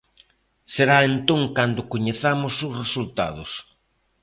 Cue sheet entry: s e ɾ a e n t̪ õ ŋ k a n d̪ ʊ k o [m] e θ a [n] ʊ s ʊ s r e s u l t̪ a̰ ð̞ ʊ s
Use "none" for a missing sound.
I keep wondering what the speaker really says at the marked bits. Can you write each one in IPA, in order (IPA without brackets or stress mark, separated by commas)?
ɲ, m